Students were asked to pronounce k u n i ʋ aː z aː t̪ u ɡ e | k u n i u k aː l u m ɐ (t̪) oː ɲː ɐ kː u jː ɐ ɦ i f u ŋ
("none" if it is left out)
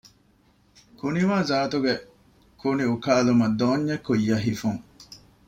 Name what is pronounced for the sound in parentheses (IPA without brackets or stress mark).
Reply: d̪